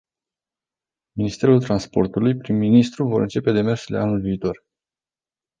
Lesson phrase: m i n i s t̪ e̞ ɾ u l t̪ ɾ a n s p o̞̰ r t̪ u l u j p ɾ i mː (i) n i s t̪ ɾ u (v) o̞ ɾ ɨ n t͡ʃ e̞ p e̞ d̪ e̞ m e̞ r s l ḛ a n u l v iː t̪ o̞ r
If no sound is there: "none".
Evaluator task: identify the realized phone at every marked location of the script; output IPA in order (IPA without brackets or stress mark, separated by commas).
i, v